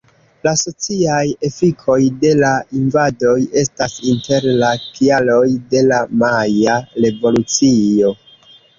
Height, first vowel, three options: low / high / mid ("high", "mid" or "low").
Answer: low